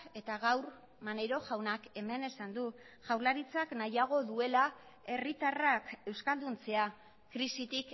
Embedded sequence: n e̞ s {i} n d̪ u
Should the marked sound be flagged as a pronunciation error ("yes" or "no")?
yes